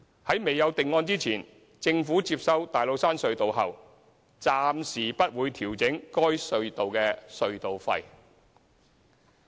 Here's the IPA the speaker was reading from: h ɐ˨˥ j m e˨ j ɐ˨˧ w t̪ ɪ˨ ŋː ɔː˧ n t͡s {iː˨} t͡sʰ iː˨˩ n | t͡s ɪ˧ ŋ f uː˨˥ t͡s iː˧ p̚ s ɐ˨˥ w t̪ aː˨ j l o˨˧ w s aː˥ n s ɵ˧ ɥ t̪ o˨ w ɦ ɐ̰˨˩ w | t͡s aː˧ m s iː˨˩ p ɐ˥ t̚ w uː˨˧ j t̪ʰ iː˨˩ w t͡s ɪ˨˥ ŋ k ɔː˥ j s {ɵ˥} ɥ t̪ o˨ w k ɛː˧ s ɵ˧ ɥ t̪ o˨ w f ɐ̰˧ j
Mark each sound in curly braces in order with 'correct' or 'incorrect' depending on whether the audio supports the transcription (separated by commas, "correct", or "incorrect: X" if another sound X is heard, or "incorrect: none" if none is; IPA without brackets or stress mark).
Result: incorrect: iː˥, incorrect: ɵ˧